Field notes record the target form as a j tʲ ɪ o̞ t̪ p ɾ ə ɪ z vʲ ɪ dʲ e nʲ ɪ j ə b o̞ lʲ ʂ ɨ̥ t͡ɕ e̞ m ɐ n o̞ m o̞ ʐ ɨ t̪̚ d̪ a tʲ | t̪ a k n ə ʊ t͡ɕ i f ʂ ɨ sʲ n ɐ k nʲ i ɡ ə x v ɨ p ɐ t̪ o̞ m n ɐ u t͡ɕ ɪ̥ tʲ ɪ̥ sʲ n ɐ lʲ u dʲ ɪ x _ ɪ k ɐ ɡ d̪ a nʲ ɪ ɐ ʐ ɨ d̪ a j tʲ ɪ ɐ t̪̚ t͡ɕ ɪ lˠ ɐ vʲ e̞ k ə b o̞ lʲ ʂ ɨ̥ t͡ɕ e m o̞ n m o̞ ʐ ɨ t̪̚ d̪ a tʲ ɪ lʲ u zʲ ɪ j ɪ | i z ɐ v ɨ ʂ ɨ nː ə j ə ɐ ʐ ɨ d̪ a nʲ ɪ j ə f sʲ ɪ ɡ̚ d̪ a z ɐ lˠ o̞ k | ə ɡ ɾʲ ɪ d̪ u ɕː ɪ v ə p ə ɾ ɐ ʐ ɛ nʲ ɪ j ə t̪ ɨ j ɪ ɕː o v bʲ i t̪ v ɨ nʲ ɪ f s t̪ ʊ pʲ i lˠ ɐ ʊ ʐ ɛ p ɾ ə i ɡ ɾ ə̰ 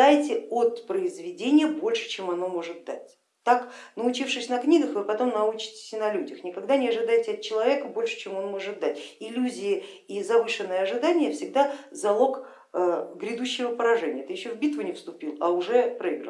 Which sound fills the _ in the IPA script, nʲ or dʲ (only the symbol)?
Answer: nʲ